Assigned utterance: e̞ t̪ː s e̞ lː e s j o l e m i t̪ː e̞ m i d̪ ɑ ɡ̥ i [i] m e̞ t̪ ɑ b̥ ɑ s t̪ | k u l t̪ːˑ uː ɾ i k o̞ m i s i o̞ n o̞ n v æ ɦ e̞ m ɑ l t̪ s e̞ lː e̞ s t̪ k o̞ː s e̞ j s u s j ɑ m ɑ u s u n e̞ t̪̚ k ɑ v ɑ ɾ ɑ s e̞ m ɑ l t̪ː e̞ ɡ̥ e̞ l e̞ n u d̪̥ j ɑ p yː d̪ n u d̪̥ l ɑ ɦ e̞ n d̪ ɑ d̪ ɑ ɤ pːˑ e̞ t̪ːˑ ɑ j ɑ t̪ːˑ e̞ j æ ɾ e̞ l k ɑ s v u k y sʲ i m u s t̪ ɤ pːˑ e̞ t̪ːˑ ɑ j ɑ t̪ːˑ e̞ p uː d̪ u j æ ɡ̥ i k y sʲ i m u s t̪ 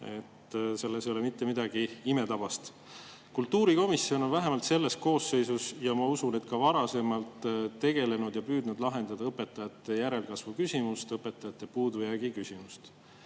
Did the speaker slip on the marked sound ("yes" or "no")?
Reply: no